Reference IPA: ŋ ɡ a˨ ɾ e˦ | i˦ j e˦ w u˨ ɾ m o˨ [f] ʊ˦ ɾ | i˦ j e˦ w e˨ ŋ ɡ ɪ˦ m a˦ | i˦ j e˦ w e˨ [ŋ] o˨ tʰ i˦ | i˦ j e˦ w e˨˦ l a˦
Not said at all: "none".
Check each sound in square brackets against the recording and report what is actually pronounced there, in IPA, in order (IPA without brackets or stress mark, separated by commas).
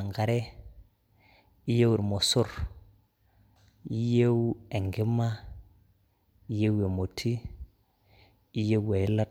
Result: s, m